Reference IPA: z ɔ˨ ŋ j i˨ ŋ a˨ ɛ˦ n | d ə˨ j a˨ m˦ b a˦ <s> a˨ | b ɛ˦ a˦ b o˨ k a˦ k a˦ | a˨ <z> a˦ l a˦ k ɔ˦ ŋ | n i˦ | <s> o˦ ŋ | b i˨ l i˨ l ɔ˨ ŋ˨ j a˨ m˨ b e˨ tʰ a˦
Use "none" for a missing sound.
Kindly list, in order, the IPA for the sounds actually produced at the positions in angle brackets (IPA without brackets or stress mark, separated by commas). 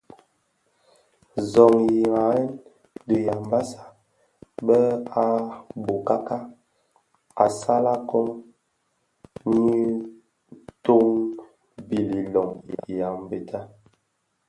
s, s, t